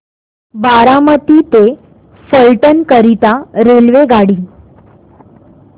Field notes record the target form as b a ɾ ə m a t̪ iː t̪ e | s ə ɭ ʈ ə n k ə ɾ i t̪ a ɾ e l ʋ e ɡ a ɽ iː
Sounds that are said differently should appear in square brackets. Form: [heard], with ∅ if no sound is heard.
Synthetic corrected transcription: b a ɾ [a] m [ə] t̪ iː t̪ e | s ə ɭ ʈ ə n k ə ɾ i t̪ a ɾ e l ʋ e ɡ a ɽ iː